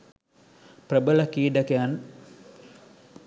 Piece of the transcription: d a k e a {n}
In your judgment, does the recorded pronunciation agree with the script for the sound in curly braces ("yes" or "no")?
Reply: yes